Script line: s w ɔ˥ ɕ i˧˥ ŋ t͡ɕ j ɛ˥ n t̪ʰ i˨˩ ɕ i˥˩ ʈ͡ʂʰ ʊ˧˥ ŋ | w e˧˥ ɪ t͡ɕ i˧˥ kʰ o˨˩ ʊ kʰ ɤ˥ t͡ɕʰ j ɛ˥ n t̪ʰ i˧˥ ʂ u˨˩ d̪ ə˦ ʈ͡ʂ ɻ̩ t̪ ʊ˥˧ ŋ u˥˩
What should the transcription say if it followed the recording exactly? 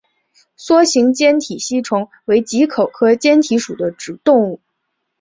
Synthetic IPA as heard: s w ɔ˥ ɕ i˧˥ ŋ t͡ɕ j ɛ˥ n t̪ʰ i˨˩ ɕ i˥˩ ʈ͡ʂʰ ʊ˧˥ ŋ | w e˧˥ ɪ t͡ɕ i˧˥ kʰ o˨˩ ʊ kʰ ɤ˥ t͡ɕ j ɛ˥ n t̪ʰ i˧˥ ʂ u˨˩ d̪ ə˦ ʈ͡ʂ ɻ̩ t̪ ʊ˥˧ ŋ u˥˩